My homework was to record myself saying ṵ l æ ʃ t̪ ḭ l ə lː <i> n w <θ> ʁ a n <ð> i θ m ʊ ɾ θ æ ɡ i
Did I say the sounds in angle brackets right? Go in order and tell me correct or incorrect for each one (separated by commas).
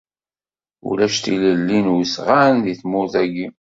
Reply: correct, incorrect, correct